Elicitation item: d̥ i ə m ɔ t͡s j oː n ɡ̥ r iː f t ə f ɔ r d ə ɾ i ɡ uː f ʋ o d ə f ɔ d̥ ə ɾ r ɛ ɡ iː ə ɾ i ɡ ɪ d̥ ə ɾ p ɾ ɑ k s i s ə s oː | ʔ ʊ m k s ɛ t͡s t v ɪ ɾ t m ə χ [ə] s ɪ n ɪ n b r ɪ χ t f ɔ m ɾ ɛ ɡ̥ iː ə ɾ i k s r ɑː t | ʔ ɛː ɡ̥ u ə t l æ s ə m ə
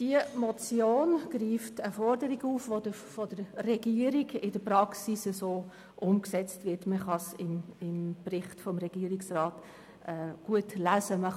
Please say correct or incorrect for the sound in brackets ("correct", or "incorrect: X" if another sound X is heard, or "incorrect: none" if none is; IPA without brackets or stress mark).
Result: incorrect: ɑ